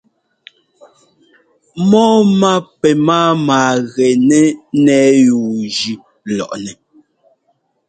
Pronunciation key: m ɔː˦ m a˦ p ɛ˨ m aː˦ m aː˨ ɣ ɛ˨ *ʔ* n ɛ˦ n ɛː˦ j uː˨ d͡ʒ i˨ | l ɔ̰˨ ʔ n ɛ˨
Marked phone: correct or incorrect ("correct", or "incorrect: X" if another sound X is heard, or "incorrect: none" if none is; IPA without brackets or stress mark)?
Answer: incorrect: none